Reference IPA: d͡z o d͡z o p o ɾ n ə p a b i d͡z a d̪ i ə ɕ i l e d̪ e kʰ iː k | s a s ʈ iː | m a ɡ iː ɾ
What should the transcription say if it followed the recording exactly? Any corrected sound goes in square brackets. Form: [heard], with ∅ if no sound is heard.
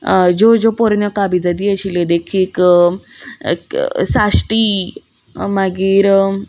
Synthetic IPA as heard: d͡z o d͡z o p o ɾ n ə [k] a b i d͡z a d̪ i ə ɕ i l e d̪ e kʰ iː k | s a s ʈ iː | m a ɡ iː ɾ